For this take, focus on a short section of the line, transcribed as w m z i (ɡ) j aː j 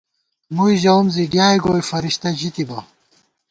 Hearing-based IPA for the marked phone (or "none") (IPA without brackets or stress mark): ɡ